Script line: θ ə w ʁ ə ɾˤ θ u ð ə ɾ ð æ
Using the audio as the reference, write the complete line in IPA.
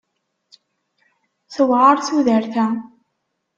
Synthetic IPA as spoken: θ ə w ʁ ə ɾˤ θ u ð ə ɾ θ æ